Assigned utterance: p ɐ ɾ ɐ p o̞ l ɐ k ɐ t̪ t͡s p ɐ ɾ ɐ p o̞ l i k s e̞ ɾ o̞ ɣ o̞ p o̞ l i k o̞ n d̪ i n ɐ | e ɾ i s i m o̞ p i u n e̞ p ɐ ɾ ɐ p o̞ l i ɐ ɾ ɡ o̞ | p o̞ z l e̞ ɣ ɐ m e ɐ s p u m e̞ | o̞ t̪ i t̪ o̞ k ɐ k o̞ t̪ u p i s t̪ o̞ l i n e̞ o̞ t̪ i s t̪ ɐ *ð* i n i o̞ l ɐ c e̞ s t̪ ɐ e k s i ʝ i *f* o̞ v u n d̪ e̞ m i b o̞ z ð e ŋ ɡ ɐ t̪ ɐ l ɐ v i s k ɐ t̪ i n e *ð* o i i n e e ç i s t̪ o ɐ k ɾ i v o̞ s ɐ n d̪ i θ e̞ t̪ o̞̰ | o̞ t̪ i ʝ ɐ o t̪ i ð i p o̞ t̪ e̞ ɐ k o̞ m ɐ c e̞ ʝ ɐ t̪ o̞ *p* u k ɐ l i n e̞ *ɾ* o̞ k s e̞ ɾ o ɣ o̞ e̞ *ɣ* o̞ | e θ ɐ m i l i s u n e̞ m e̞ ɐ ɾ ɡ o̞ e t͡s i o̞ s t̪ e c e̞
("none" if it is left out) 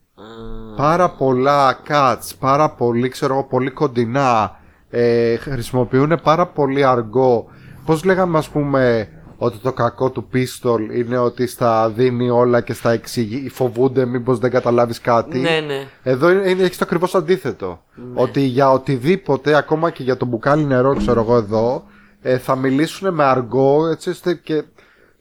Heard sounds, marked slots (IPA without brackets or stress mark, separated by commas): ð, f, ð, b, ɾ, ð